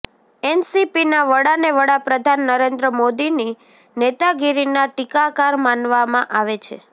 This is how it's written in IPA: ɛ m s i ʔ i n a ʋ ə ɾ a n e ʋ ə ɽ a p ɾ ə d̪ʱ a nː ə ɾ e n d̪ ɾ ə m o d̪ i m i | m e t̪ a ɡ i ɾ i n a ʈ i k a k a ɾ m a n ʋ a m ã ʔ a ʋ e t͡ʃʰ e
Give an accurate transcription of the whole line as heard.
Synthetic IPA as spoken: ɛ n s i p i n a ʋ ə ɽ a n e ʋ ə ɽ a p ɾ ə d̪ʱ a nː ə ɾ e n d̪ ɾ ə m o d̪ i n i | n e t̪ a ɡ i ɾ i n a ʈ i k a k a ɾ m a n ʋ a m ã ʔ a ʋ e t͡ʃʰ e

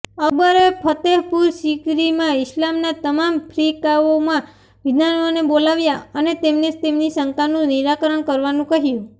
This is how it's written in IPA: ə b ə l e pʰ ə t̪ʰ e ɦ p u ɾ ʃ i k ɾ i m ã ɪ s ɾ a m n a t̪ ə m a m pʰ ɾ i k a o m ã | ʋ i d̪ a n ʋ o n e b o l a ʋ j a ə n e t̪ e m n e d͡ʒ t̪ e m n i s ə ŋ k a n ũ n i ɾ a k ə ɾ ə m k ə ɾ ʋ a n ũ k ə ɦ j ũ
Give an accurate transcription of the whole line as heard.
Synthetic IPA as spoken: ə b ə ɾ e pʰ ə t̪ e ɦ p u ɾ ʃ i k ɾ i m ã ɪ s l a m n a t̪ ə m a m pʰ ɾ i k a o m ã | ʋ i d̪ a n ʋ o n e b o l a ʋ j a ə n e t̪ e m n e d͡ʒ t̪ e m n i s ə ŋ k a n ũ n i ɾ a k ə ɾ ə ɳ k ə ɾ ʋ a n ũ k ə ɦ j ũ

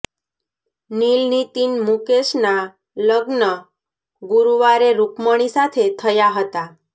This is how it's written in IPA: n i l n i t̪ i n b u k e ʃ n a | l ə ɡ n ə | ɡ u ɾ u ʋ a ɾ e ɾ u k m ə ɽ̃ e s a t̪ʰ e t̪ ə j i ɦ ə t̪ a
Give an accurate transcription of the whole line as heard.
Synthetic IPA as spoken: n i l n i t̪ i n m u k e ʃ n a | l ə ɡ n ə | ɡ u ɾ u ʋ a ɾ e ɾ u k m ə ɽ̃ i s a t̪ʰ e t̪ʰ ə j a ɦ ə t̪ a

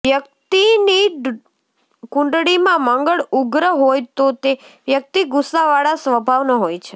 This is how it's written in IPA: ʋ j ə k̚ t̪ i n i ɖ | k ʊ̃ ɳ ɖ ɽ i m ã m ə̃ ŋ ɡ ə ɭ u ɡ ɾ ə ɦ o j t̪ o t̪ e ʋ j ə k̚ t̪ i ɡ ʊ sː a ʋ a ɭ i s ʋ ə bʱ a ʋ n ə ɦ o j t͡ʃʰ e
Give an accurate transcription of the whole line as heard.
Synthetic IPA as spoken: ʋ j ə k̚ t̪ i n i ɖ | k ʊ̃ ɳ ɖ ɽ i m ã m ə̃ ŋ ɡ ə ɭ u ɡ ɾ ə ɦ o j t̪ o t̪ e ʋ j ə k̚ t̪ i ɡ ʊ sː a ʋ a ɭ a s ʋ ə bʱ a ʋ n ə ɦ o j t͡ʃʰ e

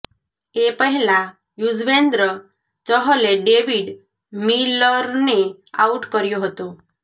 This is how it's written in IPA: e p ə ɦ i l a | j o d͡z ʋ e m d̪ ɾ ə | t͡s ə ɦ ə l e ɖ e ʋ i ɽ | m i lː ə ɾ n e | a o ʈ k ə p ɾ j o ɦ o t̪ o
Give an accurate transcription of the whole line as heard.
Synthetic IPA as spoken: e p ə ɦ i l a | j u d͡z ʋ e n d̪ ɾ ə | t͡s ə ɦ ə l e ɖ e ʋ i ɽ | m i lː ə ɾ n e | a u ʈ k ə ɾ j o ɦ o t̪ o

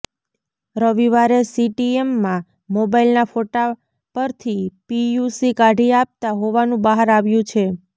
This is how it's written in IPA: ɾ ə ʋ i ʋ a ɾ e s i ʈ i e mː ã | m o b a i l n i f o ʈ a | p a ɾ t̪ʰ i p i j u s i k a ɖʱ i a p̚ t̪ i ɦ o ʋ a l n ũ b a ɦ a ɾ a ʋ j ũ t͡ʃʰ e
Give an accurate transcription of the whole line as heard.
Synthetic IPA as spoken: ɾ ə ʋ i ʋ a ɾ e s i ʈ i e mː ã | m o b a i l n a f o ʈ a | p ə ɾ t̪ʰ i p i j u s i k a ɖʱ i a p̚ t̪ a ɦ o ʋ a n ũ b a ɦ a ɾ a ʋ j ũ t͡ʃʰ e

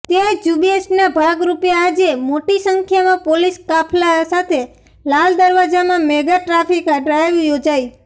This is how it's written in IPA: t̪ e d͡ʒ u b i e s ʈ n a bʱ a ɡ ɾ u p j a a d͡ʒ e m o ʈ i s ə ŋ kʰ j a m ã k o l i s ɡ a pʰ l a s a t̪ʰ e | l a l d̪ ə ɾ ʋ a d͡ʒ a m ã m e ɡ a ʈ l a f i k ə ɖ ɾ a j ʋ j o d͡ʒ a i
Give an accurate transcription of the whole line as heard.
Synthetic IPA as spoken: t̪ e d͡ʒ u b i e s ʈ n a bʱ a ɡ ɾ u p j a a d͡ʒ e m o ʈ i s ə ŋ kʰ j a m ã p o l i s k a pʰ l a s a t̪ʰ e | l a l d̪ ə ɾ ʋ a d͡ʒ a m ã m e ɡ a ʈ ɾ a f i k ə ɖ ɾ a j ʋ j o d͡ʒ a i

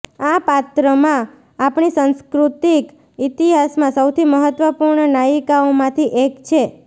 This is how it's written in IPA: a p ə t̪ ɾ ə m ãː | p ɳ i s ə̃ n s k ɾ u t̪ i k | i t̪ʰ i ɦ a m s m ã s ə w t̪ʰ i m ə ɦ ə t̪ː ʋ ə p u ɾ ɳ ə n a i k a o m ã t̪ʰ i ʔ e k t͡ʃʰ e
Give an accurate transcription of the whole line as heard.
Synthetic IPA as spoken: a p a t̪ ɾ ə m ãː | p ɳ i s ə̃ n s k ɾ u t̪ i k | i t̪ i ɦ a s m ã s ə w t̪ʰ i m ə ɦ ə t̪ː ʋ ə p u ɾ ɳ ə n a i k a o m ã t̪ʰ i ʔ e k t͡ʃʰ e

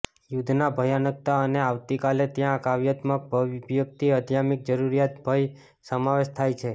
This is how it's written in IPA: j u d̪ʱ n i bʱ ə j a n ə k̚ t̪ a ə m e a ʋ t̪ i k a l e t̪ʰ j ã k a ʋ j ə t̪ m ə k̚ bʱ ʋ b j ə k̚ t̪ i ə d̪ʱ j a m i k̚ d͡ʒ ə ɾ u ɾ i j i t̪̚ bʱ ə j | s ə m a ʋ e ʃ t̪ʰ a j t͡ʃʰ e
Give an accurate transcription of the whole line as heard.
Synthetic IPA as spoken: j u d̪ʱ n a bʱ ə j a n ə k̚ t̪ a ə n e a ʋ t̪ i k a l e t̪ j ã k a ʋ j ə t̪ m ə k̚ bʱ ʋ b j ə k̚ t̪ i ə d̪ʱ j a m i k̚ d͡ʒ ə ɾ u ɾ i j a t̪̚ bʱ ə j | s ə m a ʋ e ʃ t̪ʰ a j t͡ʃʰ e

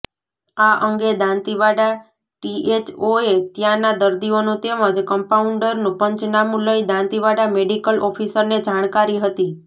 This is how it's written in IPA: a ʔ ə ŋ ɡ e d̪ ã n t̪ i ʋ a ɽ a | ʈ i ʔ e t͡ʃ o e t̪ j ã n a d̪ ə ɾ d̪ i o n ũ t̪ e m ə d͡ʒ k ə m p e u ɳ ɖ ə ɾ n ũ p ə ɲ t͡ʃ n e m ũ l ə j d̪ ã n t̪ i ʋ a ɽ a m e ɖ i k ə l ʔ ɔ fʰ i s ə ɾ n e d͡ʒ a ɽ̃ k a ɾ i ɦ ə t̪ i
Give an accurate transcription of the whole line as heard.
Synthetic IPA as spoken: a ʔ ə ŋ ɡ e d̪ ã n t̪ i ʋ a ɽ a | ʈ i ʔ e t͡ʃ o e t̪ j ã n a d̪ ə ɾ d̪ i o n ũ t̪ e m ə d͡ʒ k ə m p a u ɳ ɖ ə ɾ n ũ p ə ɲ t͡ʃ n a m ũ l ə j d̪ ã n t̪ i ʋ a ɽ a m e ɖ i k ə l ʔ ɔ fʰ i s ə ɾ n e d͡ʒ a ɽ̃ k a ɾ i ɦ ə t̪ i

